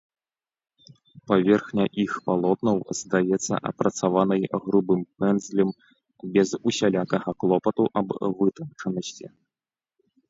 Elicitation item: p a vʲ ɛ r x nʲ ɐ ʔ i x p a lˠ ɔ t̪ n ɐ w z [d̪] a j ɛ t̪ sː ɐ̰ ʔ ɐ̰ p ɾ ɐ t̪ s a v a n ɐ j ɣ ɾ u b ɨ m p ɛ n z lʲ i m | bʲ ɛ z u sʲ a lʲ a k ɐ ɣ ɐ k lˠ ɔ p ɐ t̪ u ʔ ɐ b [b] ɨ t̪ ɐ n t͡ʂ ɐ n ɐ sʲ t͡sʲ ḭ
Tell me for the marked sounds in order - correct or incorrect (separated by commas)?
correct, incorrect